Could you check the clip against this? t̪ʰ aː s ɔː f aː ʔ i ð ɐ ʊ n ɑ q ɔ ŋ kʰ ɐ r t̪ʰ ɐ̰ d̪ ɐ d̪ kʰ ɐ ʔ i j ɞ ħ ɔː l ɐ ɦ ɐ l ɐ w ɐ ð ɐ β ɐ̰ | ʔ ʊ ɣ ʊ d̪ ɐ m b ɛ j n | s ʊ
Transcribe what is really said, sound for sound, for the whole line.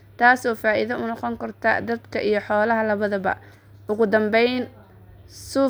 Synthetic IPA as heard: t̪ʰ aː s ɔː f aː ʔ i ð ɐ ʊ n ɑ q ɔ ŋ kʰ ɐ r t̪ʰ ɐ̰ d̪ ɐ d̪ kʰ ɐ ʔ i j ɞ ħ ɔː l ɐ ɦ ɐ l ɐ β ɐ ð ɐ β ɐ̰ | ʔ ʊ ɣ ʊ d̪ ɐ m b ɛ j n | s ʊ